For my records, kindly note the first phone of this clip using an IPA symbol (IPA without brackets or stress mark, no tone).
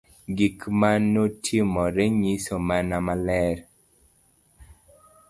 ɡ